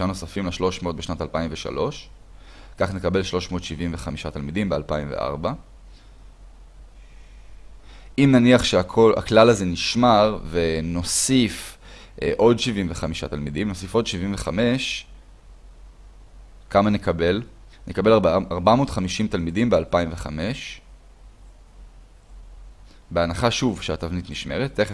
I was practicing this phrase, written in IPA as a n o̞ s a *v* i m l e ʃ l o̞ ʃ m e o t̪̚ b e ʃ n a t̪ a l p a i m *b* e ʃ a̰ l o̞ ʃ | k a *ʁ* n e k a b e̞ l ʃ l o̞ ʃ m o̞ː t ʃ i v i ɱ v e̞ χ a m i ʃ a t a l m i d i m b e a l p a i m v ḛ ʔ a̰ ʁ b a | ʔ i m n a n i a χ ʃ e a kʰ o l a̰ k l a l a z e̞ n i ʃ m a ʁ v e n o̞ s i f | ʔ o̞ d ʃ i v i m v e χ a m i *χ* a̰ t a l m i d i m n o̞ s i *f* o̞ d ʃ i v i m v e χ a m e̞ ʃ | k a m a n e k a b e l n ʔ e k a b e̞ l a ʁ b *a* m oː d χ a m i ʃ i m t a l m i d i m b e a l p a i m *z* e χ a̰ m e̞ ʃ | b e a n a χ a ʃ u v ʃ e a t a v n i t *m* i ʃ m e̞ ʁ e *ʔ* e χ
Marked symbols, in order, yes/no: no, no, no, no, yes, yes, no, no, no

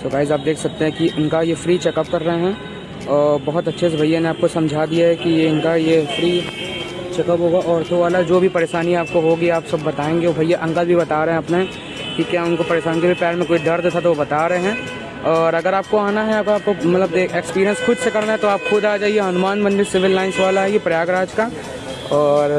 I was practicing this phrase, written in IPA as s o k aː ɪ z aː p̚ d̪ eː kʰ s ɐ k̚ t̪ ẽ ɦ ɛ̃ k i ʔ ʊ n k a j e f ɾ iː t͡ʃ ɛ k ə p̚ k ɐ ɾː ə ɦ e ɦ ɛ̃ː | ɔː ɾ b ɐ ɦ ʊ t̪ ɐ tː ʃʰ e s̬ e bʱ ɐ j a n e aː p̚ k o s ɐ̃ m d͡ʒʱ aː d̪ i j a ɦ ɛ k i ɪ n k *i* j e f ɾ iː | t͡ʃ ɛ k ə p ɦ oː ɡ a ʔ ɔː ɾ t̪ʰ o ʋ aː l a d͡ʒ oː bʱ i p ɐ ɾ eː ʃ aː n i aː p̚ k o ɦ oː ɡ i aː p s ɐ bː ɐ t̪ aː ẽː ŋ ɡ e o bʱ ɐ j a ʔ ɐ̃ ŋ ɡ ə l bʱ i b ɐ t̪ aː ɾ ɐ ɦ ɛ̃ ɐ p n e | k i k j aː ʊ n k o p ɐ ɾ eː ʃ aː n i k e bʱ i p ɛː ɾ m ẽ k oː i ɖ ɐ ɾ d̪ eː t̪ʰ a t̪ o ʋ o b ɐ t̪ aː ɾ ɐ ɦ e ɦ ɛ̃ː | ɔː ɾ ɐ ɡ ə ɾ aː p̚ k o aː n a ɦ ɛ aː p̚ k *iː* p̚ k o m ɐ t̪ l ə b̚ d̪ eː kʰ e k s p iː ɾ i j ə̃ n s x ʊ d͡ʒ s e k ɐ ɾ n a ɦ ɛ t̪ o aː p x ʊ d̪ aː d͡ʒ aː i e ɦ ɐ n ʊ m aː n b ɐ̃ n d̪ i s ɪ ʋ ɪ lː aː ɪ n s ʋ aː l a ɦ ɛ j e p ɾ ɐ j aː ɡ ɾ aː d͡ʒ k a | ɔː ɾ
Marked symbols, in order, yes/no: no, no

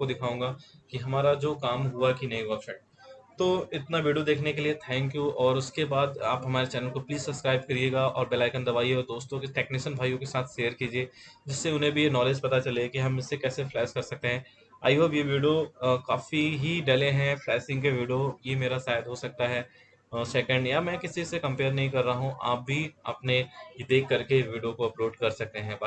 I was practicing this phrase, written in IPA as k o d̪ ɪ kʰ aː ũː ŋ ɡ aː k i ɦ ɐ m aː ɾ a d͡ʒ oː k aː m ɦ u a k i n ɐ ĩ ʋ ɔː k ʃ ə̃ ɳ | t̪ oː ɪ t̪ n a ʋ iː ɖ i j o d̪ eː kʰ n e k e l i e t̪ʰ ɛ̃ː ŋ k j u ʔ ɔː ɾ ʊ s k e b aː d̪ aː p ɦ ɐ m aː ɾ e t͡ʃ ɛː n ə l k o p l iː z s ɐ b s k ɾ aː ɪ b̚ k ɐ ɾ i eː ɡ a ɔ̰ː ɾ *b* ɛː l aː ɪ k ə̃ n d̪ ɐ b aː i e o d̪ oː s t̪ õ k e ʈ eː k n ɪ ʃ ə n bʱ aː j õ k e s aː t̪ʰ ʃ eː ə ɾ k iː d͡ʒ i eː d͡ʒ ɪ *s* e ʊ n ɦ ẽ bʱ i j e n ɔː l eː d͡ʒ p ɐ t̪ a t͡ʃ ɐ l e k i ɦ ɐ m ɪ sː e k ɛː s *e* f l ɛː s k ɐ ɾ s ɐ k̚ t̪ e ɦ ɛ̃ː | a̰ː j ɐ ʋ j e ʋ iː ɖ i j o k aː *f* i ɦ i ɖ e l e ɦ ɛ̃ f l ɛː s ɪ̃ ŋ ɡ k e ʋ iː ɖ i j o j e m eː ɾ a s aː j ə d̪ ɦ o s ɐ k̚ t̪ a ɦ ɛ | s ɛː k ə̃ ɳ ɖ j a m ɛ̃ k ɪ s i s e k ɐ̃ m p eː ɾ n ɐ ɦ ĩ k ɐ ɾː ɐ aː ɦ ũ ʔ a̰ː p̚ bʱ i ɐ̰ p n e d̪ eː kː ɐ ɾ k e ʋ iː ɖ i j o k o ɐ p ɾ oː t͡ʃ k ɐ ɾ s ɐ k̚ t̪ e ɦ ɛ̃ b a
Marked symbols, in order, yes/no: yes, no, yes, yes

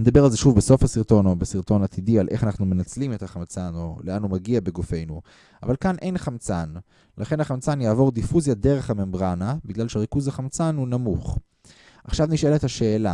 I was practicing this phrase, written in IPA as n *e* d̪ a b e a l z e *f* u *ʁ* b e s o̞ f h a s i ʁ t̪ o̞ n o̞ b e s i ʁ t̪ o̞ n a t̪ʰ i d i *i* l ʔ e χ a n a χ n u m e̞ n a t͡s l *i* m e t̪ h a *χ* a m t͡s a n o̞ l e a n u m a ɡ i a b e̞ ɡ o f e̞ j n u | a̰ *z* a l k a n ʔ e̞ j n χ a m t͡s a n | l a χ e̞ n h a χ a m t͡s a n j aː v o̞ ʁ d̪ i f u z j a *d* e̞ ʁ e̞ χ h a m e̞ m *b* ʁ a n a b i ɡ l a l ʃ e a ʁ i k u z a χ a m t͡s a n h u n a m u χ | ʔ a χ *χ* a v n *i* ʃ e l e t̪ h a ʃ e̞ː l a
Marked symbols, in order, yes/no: yes, no, no, no, yes, yes, no, yes, yes, no, yes

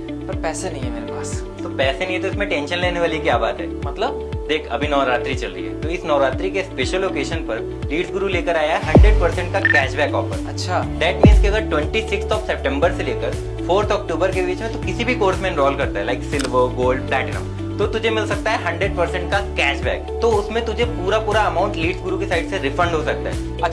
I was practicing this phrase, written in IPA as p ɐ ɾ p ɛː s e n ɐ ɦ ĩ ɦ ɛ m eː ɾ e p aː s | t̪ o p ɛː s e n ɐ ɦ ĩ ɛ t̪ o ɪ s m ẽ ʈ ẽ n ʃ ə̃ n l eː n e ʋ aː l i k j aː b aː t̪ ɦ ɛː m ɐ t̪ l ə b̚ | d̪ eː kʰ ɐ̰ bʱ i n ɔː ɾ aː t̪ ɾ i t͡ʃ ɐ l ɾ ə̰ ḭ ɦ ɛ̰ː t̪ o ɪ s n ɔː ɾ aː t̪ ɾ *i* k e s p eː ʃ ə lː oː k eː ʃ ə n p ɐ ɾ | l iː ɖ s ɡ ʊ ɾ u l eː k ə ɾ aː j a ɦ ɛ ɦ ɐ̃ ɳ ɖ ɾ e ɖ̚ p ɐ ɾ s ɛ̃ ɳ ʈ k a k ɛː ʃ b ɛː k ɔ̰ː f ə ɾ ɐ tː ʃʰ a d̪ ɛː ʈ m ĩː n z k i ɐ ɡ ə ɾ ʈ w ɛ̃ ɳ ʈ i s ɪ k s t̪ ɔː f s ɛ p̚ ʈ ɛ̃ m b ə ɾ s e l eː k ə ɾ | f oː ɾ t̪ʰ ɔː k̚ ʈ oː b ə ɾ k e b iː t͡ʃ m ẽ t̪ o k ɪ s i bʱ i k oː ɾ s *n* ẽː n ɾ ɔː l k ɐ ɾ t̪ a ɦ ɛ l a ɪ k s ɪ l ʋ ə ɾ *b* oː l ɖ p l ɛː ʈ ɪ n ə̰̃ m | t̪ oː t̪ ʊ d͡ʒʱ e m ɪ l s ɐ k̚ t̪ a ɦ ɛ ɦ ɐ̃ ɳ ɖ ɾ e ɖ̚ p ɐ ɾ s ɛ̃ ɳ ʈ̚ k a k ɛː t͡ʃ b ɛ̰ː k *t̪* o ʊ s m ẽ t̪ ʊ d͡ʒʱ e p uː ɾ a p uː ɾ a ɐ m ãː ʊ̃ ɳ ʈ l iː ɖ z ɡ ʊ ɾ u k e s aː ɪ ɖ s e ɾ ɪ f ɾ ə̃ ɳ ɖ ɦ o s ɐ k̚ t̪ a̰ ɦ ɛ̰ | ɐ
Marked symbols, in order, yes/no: yes, no, no, yes

